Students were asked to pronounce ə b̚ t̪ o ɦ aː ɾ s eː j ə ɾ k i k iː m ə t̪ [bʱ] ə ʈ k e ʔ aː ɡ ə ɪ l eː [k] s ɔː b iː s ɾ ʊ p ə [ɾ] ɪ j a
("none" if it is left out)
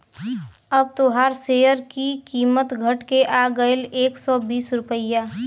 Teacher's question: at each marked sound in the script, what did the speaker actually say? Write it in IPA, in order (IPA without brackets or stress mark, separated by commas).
ɡʱ, k, none